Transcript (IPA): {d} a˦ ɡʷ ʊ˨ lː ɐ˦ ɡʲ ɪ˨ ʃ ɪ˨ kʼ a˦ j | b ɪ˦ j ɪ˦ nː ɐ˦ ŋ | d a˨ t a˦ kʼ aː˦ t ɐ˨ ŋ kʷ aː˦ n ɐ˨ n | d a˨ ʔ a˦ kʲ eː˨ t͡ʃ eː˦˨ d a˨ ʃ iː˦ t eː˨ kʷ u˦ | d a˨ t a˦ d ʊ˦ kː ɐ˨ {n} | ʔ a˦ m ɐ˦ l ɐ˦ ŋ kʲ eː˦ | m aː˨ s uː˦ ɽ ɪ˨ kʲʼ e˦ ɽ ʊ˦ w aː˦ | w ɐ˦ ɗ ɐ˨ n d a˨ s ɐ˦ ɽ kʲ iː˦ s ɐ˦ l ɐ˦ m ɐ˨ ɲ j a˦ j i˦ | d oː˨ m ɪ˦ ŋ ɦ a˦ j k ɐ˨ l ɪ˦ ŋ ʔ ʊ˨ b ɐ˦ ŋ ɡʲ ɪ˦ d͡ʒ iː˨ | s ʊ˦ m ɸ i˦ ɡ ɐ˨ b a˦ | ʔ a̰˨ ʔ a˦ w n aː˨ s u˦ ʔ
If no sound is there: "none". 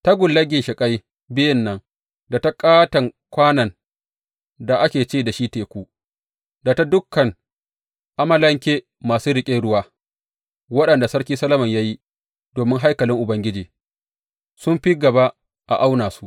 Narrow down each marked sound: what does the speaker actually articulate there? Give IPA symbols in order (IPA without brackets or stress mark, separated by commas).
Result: t, ŋ